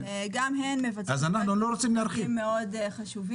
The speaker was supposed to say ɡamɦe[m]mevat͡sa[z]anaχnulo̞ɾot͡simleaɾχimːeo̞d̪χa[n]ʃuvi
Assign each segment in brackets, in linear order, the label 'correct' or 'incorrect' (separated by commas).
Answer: incorrect, correct, incorrect